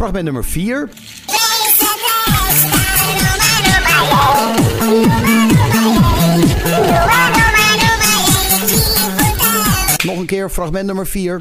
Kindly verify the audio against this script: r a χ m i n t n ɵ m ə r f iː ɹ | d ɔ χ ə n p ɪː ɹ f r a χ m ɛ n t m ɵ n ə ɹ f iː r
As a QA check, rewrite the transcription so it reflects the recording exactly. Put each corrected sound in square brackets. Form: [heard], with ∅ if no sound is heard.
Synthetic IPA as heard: r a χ m [ɛ] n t n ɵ m ə [ɹ] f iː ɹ | [n] ɔ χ ə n [k] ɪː ɹ f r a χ m ɛ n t [n] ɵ [m] ə ɹ f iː [ɹ]